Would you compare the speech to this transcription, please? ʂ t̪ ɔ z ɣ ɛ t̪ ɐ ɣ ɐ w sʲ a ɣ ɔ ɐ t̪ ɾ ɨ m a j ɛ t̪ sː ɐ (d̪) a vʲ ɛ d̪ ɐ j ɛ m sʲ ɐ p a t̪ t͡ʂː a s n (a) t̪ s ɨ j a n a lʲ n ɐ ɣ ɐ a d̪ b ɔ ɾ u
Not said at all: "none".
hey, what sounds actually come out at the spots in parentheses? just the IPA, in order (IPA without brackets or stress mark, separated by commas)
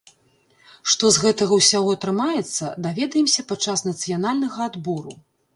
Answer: d̪, ɐ